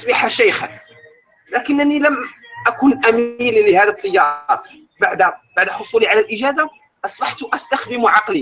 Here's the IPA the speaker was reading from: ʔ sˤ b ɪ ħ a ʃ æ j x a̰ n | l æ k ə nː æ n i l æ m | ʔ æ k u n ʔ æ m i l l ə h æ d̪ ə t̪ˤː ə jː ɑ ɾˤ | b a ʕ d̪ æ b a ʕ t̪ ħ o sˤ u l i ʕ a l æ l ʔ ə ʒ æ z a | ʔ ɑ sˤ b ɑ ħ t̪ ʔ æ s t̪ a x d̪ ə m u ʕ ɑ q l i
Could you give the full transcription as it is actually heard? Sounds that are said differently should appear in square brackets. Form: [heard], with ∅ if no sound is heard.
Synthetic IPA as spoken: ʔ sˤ b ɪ ħ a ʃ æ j x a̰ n | l æ k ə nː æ n i l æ m | ʔ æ k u n ʔ æ m i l l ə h æ d̪ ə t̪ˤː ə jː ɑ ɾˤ | b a ʕ d̪ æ b a ʕ [d̪] ħ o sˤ u l i ʕ a l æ l ʔ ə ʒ æ z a | ʔ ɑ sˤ b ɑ ħ t̪ ʔ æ s t̪ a x d̪ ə m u ʕ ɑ q l i